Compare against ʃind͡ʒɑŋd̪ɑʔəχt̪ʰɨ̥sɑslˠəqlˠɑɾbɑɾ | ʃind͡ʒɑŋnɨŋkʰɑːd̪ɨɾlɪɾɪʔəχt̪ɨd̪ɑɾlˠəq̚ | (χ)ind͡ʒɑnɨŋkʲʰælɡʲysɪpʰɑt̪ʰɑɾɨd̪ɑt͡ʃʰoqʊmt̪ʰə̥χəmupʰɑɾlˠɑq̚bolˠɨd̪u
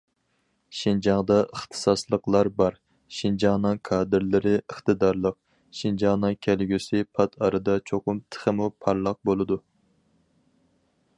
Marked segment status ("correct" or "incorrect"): incorrect